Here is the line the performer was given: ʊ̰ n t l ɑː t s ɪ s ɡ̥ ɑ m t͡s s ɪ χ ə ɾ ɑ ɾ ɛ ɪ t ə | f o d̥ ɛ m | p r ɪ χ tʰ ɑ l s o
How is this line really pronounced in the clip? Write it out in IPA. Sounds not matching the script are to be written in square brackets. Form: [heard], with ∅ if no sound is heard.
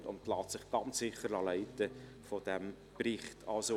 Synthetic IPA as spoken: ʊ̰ n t l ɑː t s ɪ [χ] ɡ̥ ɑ [n] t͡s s ɪ χ ə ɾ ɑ [l] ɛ ɪ t ə | f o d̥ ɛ m | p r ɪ χ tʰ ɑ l s o